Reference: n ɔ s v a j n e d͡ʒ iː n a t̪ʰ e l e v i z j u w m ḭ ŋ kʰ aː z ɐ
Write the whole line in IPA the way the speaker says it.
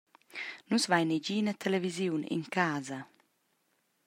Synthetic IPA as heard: n u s v a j n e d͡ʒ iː n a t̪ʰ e l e v i z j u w n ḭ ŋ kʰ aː z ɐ